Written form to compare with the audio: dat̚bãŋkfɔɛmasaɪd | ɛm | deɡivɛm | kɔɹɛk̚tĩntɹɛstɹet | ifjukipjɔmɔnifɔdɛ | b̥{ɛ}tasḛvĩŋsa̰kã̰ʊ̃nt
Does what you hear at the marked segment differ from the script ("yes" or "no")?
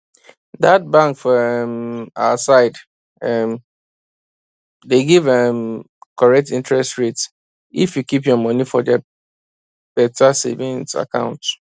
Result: no